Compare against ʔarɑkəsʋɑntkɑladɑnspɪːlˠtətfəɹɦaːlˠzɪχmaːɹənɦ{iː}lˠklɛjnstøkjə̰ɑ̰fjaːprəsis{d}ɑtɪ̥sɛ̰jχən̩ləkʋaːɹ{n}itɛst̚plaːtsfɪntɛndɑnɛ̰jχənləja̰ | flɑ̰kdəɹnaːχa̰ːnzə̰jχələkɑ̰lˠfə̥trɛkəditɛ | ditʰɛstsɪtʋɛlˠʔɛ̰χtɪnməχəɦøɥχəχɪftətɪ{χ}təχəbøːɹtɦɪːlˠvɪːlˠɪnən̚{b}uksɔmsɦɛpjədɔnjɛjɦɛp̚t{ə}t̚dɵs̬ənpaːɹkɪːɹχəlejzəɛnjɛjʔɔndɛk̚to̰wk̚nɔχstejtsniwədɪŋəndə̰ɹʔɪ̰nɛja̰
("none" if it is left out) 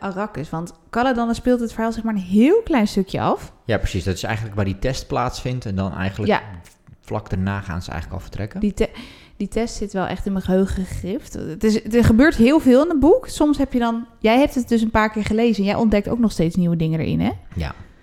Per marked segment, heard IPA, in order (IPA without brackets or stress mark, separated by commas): ɪː, d, d, s, b, ə